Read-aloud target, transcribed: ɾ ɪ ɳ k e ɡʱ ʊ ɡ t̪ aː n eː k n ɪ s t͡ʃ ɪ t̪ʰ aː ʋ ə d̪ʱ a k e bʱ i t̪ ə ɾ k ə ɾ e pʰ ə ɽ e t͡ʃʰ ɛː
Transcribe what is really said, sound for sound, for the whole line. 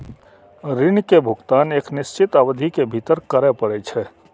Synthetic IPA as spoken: ɾ ɪ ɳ k e bʱ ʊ ɡ t̪ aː n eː k n ɪ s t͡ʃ ɪ t̪ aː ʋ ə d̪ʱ i k e bʱ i t̪ ə ɾ k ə ɾ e p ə ɽ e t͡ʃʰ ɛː